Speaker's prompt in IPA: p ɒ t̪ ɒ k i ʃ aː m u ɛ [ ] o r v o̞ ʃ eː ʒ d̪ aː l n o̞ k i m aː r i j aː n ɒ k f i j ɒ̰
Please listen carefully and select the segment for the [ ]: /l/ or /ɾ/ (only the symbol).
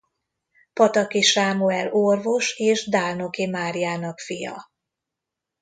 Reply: l